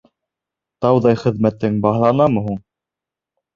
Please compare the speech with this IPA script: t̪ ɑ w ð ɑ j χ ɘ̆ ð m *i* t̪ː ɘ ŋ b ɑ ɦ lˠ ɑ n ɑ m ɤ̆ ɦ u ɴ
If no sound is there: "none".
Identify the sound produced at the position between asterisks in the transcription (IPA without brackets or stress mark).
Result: æ